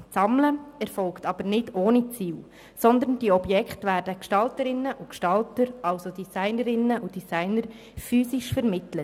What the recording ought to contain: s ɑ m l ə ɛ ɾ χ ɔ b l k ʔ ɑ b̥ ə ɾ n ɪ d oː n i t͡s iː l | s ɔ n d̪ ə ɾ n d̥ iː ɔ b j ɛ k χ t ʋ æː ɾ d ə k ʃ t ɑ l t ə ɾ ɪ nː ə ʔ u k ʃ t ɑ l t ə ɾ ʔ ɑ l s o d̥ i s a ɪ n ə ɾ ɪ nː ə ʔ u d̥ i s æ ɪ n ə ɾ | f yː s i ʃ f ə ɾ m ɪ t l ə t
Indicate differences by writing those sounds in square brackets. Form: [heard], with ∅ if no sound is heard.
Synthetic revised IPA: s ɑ m l ə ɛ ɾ [f] ɔ [∅] l k [t] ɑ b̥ ə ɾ n ɪ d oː n i t͡s iː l | s ɔ n d̪ ə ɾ n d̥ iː ɔ b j ɛ k χ t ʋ æː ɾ d ə k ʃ t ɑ l t ə ɾ ɪ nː ə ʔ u k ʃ t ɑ l t ə ɾ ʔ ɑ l s o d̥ i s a ɪ n ə ɾ ɪ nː ə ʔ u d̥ i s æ ɪ n ə ɾ | f yː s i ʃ f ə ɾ m ɪ t l ə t